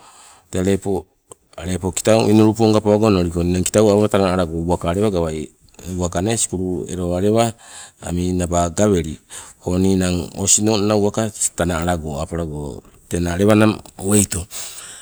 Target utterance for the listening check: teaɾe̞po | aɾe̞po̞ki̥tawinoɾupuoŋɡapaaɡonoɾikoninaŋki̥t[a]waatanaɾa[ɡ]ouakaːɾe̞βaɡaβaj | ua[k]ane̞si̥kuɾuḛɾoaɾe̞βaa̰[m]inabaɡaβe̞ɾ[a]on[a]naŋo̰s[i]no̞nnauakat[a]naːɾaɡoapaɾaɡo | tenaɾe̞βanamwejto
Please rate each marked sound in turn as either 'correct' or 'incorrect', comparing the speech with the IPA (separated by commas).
correct, correct, correct, correct, incorrect, incorrect, correct, correct